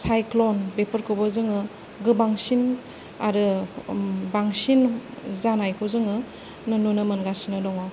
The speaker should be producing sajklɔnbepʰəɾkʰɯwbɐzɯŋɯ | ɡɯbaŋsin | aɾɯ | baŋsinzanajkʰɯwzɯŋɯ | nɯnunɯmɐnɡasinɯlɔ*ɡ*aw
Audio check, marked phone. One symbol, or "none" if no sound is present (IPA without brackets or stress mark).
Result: ŋ